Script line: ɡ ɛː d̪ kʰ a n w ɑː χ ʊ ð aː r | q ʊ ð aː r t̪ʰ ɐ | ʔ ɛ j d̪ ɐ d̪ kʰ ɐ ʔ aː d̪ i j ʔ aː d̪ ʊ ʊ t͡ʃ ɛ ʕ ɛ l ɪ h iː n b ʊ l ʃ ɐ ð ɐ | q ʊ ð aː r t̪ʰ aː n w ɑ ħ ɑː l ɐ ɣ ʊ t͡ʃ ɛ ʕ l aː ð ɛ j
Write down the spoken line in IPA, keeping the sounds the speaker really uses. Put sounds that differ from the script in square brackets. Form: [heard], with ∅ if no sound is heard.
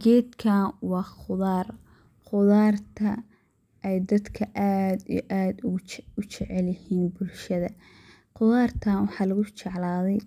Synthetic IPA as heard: ɡ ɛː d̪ kʰ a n w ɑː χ ʊ ð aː r | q ʊ ð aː r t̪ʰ ɐ | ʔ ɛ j d̪ ɐ d̪ kʰ ɐ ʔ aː d̪ i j ʔ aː d̪ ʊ ʊ t͡ʃ ɛ ʕ ɛ l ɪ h iː n b ʊ l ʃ ɐ ð ɐ | q ʊ ð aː r t̪ʰ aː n w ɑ ħ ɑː l ɐ ɣ ʊ t͡ʃ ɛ ʕ l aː ð ɛ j

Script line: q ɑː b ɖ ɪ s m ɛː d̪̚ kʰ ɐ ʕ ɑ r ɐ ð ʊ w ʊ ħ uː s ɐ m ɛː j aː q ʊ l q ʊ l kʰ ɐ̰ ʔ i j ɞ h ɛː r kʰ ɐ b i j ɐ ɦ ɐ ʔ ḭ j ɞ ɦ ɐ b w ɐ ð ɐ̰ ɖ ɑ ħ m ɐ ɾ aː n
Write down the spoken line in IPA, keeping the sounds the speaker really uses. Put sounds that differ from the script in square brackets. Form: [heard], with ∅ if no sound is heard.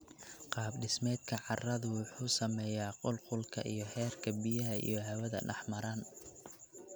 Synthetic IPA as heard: q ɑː b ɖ ɪ s m ɛː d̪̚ kʰ ɐ ʕ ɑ r ɐ ð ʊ w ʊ ħ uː s ɐ m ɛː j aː q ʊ l q ʊ l kʰ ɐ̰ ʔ i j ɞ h ɛː r kʰ ɐ b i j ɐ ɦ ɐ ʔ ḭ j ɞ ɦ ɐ [∅] w ɐ ð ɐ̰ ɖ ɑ ħ m ɐ ɾ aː n

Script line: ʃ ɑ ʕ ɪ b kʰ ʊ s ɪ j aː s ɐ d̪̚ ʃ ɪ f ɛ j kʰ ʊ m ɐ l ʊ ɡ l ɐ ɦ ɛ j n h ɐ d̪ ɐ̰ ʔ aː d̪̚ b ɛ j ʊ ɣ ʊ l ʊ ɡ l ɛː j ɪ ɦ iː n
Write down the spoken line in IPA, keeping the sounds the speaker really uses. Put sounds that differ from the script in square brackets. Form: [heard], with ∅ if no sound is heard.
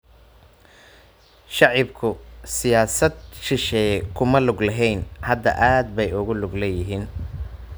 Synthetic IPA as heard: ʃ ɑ ʕ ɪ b kʰ ʊ s ɪ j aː s ɐ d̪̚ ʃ ɪ [ʃ] ɛ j kʰ ʊ m ɐ l ʊ ɡ l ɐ ɦ ɛ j n h ɐ d̪ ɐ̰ ʔ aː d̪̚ b ɛ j ʊ ɣ ʊ l ʊ ɡ l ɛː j ɪ ɦ iː n

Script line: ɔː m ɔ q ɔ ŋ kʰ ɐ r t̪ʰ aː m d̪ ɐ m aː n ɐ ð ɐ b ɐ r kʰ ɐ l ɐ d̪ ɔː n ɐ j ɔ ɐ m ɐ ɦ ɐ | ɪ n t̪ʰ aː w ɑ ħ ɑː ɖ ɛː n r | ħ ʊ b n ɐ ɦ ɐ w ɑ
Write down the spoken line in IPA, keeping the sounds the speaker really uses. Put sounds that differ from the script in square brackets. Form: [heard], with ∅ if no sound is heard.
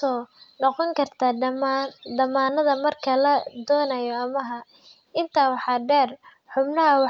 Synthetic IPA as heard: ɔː [n] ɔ q ɔ ŋ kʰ ɐ r t̪ʰ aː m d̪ ɐ m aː n ɐ ð ɐ [m] ɐ r kʰ ɐ l ɐ d̪ ɔː n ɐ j ɔ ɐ m ɐ ɦ ɐ | ɪ n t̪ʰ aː w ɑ ħ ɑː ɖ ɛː [∅] r | ħ ʊ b n ɐ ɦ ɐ w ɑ

